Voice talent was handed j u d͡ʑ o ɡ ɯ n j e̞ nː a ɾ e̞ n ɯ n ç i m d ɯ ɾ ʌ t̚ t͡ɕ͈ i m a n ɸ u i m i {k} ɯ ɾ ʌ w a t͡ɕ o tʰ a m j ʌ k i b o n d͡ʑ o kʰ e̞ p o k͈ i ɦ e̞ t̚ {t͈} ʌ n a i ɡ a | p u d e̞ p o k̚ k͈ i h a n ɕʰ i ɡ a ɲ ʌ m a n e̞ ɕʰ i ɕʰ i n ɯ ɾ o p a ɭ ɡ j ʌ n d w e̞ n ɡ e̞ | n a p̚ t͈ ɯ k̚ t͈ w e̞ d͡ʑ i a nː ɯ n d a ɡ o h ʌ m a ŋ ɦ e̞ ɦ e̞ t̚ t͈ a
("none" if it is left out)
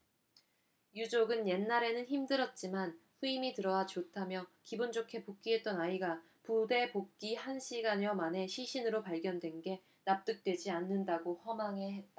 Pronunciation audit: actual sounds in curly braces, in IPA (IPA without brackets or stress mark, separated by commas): t, t͈